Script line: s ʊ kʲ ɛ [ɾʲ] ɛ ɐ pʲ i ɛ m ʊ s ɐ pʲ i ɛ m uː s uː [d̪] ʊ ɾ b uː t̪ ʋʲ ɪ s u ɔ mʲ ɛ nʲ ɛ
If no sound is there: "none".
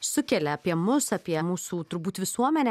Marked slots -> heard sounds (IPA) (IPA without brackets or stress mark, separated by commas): lʲ, t̪